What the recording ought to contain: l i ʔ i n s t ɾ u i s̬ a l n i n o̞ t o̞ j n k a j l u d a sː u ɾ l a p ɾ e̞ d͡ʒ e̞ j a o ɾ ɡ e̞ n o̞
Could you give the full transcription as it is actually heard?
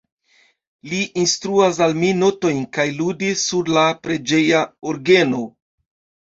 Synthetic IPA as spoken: l i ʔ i n s t ɾ u a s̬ a l m i n o̞ t o̞ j n k a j l u d i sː u ɾ l a p ɾ e̞ d͡ʒ e̞ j a o ɾ ɡ e̞ n o̞